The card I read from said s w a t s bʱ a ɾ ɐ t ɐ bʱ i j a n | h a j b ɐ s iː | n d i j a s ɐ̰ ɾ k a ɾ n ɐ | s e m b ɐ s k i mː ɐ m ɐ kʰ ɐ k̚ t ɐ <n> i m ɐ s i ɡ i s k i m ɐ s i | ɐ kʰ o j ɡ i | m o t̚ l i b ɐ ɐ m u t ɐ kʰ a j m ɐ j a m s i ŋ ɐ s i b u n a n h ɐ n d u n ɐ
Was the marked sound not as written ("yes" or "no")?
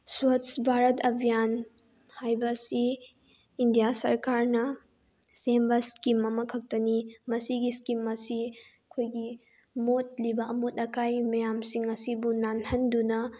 no